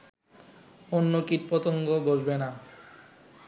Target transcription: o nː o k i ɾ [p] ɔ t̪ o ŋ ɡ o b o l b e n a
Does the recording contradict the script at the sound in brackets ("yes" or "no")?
no